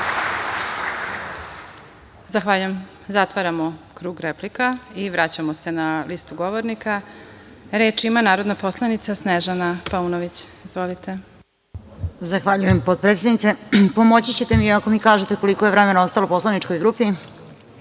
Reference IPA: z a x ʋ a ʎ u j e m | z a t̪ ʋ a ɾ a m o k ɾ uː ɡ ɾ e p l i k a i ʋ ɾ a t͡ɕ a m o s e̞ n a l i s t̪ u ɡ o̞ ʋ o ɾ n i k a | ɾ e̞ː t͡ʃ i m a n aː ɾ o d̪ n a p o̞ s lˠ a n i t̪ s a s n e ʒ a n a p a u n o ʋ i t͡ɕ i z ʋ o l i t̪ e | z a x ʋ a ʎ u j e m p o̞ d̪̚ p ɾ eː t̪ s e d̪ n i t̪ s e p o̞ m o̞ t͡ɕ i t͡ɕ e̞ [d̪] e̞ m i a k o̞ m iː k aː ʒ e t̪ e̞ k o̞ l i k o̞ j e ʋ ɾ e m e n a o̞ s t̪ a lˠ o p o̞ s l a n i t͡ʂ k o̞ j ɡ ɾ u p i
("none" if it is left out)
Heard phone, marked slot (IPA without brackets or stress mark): t̪